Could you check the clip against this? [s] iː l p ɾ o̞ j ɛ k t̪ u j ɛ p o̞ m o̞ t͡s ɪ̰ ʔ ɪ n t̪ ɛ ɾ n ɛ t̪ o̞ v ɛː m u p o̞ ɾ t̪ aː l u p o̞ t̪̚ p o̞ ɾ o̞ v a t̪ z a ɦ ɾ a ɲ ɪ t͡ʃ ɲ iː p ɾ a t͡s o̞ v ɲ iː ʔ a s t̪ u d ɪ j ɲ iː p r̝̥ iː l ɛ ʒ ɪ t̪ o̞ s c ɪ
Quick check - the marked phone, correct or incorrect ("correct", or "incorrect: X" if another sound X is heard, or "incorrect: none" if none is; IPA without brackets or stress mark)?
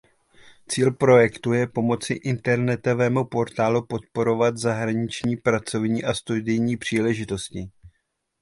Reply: incorrect: t͡s